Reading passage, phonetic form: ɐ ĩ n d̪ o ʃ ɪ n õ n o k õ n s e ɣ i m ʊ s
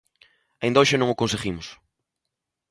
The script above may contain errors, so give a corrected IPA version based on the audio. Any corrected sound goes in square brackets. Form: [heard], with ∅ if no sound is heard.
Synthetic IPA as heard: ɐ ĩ n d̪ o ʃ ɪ n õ [ŋ] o k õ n s e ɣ i m ʊ s

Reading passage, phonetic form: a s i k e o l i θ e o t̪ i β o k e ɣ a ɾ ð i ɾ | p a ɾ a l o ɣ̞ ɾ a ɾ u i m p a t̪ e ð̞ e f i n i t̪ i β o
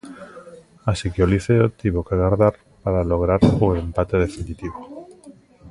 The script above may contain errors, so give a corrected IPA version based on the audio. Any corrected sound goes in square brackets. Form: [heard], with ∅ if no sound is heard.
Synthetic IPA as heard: a s i k e o l i θ e o t̪ i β o k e ɣ a ɾ ð [a] ɾ | p a ɾ a l o ɣ̞ ɾ a ɾ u [e] m p a t̪ e ð̞ e f i n i t̪ i β o

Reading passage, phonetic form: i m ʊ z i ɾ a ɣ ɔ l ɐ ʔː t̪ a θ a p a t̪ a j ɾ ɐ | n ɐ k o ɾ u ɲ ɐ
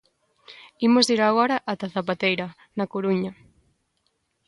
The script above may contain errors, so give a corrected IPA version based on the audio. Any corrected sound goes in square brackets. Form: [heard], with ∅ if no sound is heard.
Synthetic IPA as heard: i m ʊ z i ɾ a ɣ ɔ [ɾ] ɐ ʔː t̪ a θ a p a t̪ [e] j ɾ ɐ | n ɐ k o ɾ u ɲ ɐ

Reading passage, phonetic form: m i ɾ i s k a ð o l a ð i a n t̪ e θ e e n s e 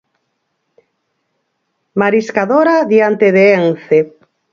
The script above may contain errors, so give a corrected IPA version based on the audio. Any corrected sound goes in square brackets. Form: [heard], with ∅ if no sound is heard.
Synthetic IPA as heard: m [a] ɾ i s k a ð o [ɾ] a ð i a n t̪ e [ð] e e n [θ] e

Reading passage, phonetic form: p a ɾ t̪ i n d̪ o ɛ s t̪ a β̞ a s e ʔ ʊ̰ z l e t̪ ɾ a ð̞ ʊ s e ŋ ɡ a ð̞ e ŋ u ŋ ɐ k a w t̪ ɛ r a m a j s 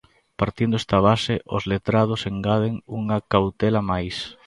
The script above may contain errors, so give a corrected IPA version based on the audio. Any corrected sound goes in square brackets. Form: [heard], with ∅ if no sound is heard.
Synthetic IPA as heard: p a ɾ t̪ i n d̪ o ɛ s t̪ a β̞ a s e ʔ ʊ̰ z l e t̪ ɾ a ð̞ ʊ s e ŋ ɡ a ð̞ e ŋ u ŋ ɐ k a w t̪ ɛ [l] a m a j s

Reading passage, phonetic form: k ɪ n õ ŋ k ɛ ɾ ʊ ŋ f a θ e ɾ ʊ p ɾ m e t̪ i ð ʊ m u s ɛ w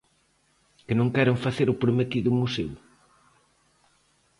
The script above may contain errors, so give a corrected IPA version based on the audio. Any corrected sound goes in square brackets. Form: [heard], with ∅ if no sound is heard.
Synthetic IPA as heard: k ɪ n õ ŋ k ɛ ɾ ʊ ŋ f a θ e ɾ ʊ p ɾ m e t̪ i ð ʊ m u s [e] w

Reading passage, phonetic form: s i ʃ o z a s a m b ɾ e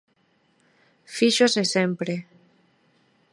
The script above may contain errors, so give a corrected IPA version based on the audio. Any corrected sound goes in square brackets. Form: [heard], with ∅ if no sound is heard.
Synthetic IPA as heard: [f] i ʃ o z [e] s [e] m [p] ɾ e

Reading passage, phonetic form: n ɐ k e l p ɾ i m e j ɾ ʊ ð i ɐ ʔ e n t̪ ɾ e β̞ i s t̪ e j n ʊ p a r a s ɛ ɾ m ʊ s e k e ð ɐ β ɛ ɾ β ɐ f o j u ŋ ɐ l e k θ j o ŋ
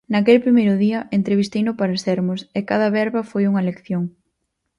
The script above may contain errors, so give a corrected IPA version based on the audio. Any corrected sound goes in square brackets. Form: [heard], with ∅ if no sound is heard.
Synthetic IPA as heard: n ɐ k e l p ɾ i m e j ɾ ʊ ð i ɐ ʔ e n t̪ ɾ e β̞ i s t̪ e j n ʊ p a [ɾ] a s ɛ ɾ m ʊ s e k [a] ð ɐ β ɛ ɾ β ɐ f o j u ŋ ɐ l e k θ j o ŋ

